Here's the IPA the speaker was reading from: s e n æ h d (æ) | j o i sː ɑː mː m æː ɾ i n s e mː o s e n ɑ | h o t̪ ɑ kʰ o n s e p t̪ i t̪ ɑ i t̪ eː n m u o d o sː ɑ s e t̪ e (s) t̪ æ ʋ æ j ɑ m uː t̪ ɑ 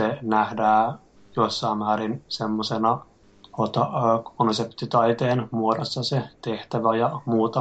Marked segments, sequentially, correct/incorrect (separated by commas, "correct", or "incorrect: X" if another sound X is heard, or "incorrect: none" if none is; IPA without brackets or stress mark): incorrect: æː, incorrect: h